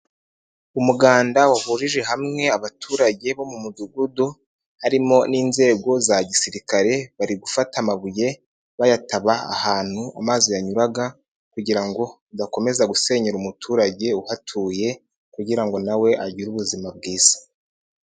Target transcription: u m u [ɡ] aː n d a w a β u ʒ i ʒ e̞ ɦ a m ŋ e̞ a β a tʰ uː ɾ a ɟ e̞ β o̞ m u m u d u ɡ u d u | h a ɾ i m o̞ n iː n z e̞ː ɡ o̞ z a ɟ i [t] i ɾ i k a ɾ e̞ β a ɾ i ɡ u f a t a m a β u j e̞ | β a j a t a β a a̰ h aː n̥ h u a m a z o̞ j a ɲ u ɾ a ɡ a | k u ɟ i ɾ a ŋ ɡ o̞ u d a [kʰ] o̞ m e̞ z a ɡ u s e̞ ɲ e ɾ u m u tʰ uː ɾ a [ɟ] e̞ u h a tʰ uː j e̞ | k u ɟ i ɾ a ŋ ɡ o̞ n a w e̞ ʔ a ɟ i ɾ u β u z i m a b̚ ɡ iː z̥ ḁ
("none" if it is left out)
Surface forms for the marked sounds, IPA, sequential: ɡ, s, k, ɟ

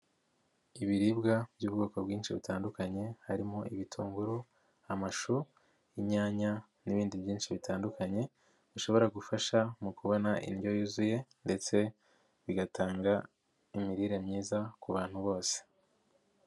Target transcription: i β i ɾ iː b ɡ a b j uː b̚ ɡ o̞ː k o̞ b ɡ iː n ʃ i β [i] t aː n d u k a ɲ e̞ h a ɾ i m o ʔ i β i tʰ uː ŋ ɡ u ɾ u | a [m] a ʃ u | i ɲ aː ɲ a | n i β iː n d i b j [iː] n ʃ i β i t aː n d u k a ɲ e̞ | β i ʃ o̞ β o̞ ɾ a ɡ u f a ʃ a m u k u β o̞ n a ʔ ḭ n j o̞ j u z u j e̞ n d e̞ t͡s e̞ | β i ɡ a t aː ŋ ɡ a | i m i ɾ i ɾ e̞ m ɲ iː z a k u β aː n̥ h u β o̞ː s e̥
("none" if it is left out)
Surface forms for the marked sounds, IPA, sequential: i, m, iː

